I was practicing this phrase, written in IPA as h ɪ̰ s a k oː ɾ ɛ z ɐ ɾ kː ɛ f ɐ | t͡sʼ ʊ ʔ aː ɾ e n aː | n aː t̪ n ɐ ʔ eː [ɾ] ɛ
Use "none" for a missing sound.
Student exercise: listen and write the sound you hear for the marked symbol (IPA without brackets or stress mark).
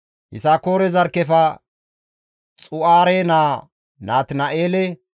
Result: l